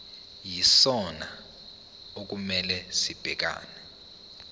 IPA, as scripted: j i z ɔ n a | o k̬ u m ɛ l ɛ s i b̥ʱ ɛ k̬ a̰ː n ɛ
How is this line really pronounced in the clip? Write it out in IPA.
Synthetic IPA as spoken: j i s ɔ n a | o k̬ u m ɛ l ɛ s i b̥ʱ ɛ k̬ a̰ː n ɛ